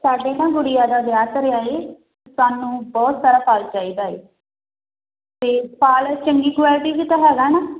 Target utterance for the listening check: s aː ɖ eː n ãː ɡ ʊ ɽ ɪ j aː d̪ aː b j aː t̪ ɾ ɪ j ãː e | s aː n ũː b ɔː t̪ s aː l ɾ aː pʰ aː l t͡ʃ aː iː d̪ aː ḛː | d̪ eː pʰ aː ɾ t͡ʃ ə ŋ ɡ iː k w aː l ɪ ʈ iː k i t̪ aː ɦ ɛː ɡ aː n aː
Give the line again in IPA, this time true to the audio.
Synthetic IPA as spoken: s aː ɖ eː n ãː ɡ ʊ ɽ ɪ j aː d̪ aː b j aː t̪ ɾ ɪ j aː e | s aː n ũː b ɔː t̪ s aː ɾ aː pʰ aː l t͡ʃ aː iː d̪ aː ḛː | t̪ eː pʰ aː l t͡ʃ ə ŋ ɡ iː k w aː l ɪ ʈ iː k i t̪ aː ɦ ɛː ɡ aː n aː

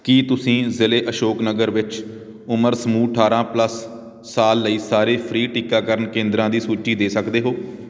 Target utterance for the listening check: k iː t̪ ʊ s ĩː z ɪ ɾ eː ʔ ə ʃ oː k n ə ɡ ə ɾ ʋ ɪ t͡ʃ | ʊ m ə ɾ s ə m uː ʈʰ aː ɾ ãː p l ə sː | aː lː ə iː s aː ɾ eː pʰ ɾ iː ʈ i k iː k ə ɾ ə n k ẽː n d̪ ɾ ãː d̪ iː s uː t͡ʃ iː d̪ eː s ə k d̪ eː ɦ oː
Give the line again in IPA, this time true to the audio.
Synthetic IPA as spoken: k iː t̪ ʊ s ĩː z ɪ l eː ʔ ə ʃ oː k n ə ɡ ə ɾ ʋ ɪ t͡ʃ | ʊ m ə ɾ s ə m uː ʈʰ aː ɾ ãː p l ə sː | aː lː ə iː s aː ɾ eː pʰ ɾ iː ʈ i k aː k ə ɾ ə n k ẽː n d̪ ɾ ãː d̪ iː s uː t͡ʃ iː d̪ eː s ə k d̪ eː ɦ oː

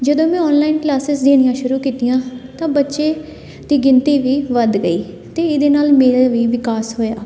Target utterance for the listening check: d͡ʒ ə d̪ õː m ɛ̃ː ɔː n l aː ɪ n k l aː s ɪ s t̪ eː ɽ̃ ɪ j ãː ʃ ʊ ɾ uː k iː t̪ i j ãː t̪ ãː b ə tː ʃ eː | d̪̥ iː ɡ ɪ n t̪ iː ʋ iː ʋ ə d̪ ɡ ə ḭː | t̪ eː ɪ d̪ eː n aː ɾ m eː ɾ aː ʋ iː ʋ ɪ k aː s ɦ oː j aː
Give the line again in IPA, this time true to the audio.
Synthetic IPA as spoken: d͡ʒ ə d̪ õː m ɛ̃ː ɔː n l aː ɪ n k l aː s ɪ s d̪ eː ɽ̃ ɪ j ãː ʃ ʊ ɾ uː k iː t̪ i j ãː t̪ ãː b ə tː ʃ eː | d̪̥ iː ɡ ɪ n t̪ iː ʋ iː ʋ ə d̪ ɡ ə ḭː | t̪ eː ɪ d̪ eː n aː l m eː ɾ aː ʋ iː ʋ ɪ k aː s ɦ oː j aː

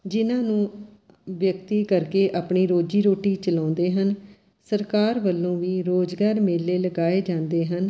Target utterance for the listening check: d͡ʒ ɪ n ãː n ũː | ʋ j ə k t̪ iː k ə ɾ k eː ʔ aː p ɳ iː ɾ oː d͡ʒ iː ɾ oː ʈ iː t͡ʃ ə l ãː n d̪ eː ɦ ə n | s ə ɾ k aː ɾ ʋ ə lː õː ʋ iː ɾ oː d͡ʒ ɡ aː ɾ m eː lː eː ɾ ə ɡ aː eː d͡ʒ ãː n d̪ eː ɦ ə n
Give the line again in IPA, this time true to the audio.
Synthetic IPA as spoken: d͡ʒ ɪ n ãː n ũː | ʋ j ə k t̪ iː k ə ɾ k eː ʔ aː p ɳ iː ɾ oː d͡ʒ iː ɾ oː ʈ iː t͡ʃ ə l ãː n d̪ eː ɦ ə n | s ə ɾ k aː ɾ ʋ ə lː õː ʋ iː ɾ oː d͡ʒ ɡ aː ɾ m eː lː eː l ə ɡ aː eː d͡ʒ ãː n d̪ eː ɦ ə n

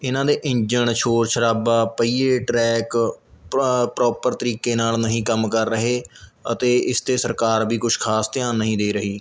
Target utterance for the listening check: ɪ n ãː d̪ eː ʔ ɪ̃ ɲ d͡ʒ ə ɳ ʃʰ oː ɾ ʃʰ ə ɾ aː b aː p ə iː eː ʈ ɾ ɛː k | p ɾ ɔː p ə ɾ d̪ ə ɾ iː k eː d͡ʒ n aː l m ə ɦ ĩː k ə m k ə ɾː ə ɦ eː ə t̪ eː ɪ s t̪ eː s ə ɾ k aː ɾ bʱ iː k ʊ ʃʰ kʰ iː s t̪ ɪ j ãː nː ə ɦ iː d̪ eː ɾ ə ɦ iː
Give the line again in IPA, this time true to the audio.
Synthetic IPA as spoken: ɪ n ãː d̪ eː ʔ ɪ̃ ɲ d͡ʒ ə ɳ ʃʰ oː ɾ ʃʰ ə ɾ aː b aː p ə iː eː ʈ ɾ ɛː k | p ɾ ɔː p ə ɾ t̪ ə ɾ iː k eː n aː l n ə ɦ ĩː k ə m k ə ɾː ə ɦ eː ə t̪ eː ɪ s t̪ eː s ə ɾ k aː ɾ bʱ iː k ʊ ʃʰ kʰ aː s t̪ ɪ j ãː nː ə ɦ ĩː d̪ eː ɾ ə ɦ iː

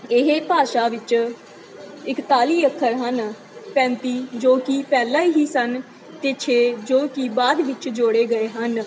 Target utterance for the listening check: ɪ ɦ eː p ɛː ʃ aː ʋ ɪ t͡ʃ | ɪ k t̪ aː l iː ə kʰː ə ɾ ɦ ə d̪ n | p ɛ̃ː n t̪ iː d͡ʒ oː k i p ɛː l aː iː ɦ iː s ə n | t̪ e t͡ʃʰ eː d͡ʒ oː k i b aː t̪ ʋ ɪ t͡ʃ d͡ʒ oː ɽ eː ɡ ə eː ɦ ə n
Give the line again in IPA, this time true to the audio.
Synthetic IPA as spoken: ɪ ɦ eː p aː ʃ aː ʋ ɪ t͡ʃ | ɪ k t̪ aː l iː ə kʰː ə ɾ ɦ ə n | p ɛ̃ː n t̪ iː d͡ʒ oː k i p ɛː l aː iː ɦ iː s ə n | t̪ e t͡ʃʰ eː d͡ʒ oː k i b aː d̪ ʋ ɪ t͡ʃ d͡ʒ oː ɽ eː ɡ ə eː ɦ ə n

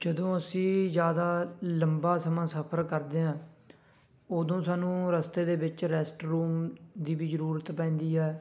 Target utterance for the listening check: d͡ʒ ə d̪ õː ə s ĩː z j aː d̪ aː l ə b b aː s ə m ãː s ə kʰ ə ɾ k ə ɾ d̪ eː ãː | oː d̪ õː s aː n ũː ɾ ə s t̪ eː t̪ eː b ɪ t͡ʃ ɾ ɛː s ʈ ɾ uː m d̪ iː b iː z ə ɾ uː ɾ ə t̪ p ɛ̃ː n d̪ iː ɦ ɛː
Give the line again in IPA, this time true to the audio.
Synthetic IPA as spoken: d͡ʒ ə d̪ õː ə s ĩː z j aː d̪ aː l ə m b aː s ə m ãː s ə pʰ ə ɾ k ə ɾ d̪ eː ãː | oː d̪ õː s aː n ũː ɾ ə s t̪ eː d̪ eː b ɪ t͡ʃ ɾ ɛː s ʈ ɾ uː m d̪ iː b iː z ə ɾ uː ɾ ə t̪ p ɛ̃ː n d̪ iː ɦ ɛː

